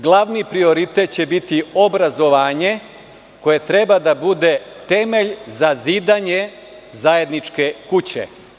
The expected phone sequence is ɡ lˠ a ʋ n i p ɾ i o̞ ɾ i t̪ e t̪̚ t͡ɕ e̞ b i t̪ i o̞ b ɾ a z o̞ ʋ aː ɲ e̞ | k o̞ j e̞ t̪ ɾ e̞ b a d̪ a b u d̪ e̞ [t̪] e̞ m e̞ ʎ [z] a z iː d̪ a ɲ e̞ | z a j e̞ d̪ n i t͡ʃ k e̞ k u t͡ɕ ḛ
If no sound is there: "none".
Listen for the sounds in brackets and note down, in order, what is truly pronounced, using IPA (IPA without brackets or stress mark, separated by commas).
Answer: t̪, z